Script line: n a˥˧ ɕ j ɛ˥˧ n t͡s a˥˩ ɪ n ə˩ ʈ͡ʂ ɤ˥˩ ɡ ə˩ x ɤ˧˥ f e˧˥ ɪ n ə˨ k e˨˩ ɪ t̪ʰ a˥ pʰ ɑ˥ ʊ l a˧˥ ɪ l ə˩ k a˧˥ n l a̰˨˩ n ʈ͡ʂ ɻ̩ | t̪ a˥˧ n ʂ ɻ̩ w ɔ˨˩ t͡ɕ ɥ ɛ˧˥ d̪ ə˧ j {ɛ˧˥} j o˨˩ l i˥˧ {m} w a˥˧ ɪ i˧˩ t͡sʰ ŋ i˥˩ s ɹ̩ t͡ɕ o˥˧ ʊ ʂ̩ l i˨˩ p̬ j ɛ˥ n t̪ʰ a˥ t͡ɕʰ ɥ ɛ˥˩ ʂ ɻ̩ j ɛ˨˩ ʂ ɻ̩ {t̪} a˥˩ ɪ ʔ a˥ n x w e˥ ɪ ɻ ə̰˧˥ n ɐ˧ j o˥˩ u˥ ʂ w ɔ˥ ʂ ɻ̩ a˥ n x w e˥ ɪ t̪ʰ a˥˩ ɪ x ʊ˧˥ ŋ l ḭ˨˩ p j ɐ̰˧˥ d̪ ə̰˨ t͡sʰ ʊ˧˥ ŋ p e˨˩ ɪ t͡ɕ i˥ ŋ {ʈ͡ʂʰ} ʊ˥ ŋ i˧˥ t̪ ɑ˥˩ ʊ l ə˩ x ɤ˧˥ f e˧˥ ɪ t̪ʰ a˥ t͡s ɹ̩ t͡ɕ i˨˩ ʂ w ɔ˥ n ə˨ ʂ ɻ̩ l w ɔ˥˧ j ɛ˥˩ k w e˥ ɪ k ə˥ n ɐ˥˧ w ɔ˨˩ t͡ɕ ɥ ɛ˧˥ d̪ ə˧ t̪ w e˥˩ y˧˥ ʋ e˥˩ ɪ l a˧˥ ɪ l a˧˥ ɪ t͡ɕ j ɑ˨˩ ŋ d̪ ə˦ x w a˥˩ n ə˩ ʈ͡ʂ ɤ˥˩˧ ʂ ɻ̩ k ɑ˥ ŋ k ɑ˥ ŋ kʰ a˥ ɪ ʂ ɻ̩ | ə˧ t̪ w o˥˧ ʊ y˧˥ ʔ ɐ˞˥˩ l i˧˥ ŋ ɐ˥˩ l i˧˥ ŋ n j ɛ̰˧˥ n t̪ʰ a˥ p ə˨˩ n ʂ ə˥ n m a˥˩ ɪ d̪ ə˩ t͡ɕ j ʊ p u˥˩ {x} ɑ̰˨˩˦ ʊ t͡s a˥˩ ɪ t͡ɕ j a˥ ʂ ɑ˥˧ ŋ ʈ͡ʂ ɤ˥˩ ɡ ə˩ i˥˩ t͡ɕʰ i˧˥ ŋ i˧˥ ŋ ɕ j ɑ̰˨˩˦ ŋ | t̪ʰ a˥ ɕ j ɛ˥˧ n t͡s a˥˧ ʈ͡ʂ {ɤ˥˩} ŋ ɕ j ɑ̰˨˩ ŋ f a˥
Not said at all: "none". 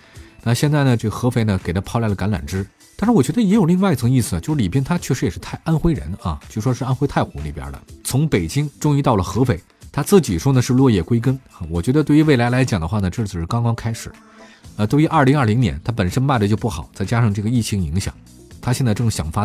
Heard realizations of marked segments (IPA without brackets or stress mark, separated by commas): ɛ˧˥, ŋ, t̪ʰ, ʈ͡ʂ, x, ɤ˥˩